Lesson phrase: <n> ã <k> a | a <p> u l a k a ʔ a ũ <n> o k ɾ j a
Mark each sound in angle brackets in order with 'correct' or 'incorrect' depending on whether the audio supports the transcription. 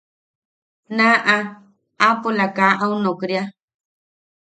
correct, incorrect, correct, correct

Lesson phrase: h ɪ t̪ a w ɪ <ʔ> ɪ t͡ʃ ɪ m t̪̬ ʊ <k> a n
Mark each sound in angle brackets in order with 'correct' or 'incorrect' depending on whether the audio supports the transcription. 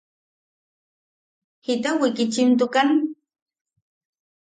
incorrect, correct

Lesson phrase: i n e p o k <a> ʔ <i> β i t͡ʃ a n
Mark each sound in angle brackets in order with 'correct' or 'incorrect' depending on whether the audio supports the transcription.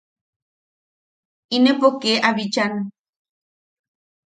incorrect, incorrect

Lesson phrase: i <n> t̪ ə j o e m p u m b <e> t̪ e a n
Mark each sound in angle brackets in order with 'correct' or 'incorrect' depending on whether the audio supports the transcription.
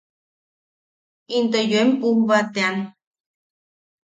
correct, incorrect

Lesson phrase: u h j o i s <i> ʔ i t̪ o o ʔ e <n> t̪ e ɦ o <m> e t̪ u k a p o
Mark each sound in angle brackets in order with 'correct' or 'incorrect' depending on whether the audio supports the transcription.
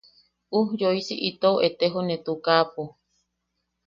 correct, incorrect, incorrect

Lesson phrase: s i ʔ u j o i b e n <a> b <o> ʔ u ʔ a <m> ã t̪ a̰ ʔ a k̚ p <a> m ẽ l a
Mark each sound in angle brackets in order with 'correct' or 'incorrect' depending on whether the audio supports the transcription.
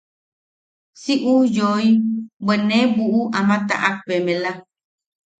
incorrect, incorrect, correct, incorrect

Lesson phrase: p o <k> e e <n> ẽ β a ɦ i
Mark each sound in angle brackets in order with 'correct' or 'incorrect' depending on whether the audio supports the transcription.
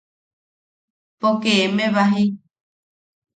correct, incorrect

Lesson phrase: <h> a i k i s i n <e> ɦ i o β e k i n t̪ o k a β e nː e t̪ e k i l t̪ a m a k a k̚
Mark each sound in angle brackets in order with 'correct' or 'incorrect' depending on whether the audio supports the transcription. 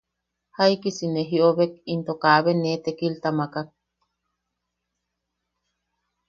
correct, correct

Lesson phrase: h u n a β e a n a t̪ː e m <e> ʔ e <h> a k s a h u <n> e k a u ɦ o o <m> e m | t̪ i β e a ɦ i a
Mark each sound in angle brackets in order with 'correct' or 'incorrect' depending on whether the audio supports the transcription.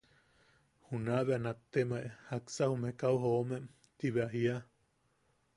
incorrect, correct, incorrect, correct

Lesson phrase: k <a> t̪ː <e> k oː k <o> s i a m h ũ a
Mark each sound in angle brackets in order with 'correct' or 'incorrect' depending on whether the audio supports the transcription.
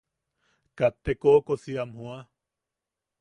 correct, correct, correct

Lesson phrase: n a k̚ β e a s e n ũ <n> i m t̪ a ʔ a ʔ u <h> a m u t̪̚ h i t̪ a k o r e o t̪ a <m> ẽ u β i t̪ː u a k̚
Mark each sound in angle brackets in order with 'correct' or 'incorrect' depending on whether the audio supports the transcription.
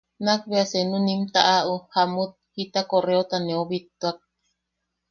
correct, correct, incorrect

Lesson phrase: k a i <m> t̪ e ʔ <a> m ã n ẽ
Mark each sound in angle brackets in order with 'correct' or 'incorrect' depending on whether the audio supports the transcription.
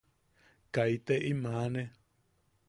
incorrect, incorrect

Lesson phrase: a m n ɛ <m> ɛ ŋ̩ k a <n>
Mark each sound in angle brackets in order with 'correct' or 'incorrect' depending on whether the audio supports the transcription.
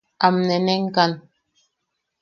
incorrect, correct

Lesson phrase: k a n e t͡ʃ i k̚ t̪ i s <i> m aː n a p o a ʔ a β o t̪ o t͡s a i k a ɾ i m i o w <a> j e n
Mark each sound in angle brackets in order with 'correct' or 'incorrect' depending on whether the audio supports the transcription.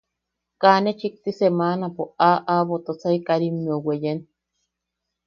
incorrect, incorrect

